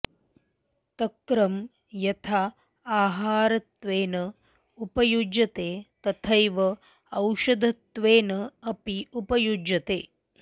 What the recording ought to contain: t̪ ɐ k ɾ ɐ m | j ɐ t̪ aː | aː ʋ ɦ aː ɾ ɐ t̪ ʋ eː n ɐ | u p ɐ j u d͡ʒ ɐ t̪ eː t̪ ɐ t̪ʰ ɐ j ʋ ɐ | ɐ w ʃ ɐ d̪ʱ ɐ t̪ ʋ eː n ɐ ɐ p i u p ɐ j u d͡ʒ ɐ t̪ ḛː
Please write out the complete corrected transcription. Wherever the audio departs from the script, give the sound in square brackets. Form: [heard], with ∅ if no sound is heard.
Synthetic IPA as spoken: t̪ ɐ k ɾ ɐ m | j ɐ [t̪ʰ] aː | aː [∅] ɦ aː ɾ ɐ t̪ ʋ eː n ɐ | u p ɐ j u d͡ʒ ɐ t̪ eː t̪ ɐ t̪ʰ ɐ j ʋ ɐ | ɐ w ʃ ɐ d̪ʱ ɐ t̪ ʋ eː n ɐ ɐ p i u p ɐ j u d͡ʒ ɐ t̪ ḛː